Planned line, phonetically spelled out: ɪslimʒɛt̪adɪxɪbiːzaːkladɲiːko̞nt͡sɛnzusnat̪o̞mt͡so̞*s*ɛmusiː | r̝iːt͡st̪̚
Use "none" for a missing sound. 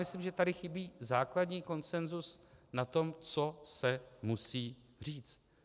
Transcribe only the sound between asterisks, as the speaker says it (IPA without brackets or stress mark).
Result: s